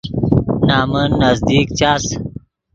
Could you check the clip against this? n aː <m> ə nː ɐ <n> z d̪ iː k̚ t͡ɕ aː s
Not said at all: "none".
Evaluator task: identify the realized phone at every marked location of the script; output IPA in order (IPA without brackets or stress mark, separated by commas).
m, none